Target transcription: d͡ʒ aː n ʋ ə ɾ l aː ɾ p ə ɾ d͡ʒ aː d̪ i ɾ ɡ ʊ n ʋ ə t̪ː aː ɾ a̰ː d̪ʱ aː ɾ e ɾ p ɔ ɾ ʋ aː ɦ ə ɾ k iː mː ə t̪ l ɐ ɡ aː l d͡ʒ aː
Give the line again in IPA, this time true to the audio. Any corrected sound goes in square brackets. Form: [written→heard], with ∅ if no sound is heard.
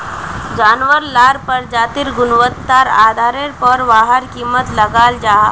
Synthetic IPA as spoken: d͡ʒ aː n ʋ ə ɾ l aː ɾ p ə ɾ d͡ʒ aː [d̪→t̪] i ɾ ɡ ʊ n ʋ ə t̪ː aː ɾ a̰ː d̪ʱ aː ɾ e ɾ p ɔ ɾ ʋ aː ɦ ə ɾ k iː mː ə t̪ l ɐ ɡ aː l d͡ʒ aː